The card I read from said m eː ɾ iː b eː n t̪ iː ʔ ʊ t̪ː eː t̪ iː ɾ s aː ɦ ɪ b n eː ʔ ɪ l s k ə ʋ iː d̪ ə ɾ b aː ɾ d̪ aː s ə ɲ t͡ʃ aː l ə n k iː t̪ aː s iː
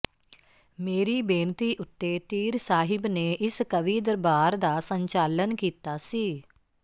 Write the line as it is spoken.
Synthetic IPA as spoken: m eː ɾ iː b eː n t̪ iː ʔ ʊ t̪ː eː t̪ iː ɾ s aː ɦ ɪ b n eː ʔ ɪ s k ə ʋ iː d̪ ə ɾ b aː ɾ d̪ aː s ə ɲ t͡ʃ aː l ə n k iː t̪ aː s iː